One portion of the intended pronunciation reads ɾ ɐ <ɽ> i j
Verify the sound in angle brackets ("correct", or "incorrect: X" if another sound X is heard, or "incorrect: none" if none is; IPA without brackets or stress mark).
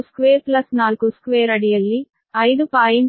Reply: correct